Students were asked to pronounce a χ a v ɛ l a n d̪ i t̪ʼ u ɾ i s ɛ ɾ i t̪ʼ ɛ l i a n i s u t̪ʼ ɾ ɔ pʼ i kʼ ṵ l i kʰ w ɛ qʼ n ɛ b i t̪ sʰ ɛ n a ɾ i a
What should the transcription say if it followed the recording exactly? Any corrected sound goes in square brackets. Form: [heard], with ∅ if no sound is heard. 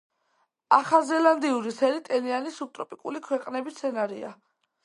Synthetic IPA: a χ a [z] ɛ l a n d̪ i [∅] u ɾ i s ɛ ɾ i t̪ʼ ɛ l i a n i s u t̪ʼ ɾ ɔ pʼ i kʼ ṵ l i kʰ w ɛ qʼ n ɛ b i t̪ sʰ ɛ n a ɾ i a